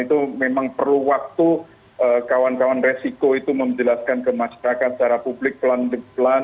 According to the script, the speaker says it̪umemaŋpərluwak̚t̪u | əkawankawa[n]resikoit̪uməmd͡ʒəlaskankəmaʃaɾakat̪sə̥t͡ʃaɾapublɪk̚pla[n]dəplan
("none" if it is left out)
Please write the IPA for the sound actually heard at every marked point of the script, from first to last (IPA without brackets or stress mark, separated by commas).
n, n